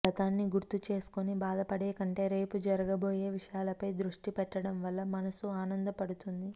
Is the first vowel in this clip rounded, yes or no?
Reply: no